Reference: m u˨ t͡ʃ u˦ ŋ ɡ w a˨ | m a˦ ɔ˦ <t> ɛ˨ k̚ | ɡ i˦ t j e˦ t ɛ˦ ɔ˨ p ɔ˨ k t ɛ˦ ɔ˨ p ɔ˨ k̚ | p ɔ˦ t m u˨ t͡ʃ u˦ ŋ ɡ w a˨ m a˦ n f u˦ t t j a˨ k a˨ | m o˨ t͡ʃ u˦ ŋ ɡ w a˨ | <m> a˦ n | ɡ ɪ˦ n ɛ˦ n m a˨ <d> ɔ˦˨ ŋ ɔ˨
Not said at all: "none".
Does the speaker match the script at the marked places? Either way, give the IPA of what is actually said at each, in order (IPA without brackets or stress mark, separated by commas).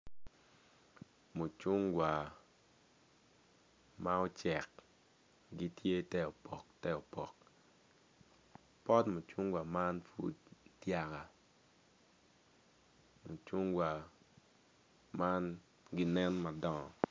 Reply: t͡ʃ, m, d